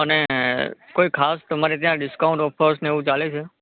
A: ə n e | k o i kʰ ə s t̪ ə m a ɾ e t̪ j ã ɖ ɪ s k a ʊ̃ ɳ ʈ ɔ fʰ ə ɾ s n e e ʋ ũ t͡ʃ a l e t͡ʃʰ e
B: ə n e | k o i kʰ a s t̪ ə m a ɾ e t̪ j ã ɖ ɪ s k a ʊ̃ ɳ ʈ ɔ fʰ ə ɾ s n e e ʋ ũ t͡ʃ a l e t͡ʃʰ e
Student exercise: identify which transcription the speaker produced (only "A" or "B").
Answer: B